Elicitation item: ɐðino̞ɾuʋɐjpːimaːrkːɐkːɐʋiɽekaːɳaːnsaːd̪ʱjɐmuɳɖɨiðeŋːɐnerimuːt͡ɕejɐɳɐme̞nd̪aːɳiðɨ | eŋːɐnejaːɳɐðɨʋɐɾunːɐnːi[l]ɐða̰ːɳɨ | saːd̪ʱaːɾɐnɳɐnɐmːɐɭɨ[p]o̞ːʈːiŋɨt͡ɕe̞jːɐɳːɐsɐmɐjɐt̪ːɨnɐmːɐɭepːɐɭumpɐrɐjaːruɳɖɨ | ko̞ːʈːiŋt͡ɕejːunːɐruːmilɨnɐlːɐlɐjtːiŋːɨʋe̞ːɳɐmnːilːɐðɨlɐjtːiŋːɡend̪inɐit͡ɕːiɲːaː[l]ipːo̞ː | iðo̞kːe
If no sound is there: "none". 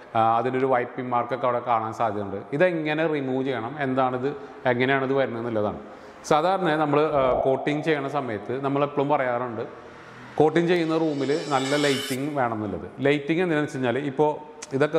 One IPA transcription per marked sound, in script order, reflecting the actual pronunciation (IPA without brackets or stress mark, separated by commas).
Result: lː, k, l